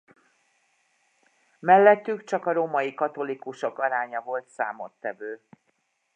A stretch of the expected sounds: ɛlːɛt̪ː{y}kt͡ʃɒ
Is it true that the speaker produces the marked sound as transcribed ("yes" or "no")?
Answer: yes